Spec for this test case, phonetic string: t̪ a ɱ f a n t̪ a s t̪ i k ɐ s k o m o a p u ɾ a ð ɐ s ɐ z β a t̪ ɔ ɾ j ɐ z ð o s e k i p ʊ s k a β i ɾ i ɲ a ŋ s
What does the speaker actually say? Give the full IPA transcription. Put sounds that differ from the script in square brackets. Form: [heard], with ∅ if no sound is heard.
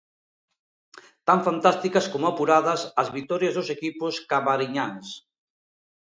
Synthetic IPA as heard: t̪ a ɱ f a n t̪ a s t̪ i k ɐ s k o m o a p u ɾ a ð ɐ s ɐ z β [i] t̪ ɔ ɾ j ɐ z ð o s e k i p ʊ s k a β [a] ɾ i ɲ a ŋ s